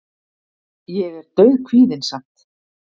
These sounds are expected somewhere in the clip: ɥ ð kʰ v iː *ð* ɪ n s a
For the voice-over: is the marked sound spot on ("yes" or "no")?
yes